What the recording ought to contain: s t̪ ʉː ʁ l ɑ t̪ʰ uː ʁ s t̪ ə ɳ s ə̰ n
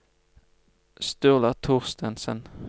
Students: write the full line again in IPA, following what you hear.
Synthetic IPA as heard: s t̪ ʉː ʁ l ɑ t̪ʰ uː ʁ s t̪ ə n s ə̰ n